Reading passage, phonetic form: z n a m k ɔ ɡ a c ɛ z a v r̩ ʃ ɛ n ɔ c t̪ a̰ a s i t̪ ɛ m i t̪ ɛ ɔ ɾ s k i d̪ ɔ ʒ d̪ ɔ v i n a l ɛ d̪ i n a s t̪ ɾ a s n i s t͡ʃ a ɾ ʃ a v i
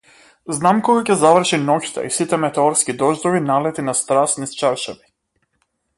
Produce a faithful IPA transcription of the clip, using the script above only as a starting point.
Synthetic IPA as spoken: z n a m k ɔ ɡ a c ɛ z a v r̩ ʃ i n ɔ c t̪ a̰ i s i t̪ ɛ m ɛ t̪ ɛ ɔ ɾ s k i d̪ ɔ ʒ d̪ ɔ v i n a l ɛ t̪ i n a s t̪ ɾ a s n i s t͡ʃ a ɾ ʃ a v i